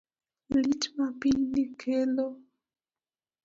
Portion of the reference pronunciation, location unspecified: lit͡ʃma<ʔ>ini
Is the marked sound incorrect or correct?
incorrect: p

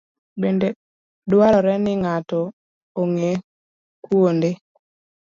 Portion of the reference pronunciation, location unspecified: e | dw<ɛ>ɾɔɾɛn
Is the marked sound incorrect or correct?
incorrect: a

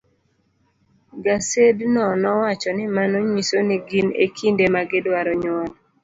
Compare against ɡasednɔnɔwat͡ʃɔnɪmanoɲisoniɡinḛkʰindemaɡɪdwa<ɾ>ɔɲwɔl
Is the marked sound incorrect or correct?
correct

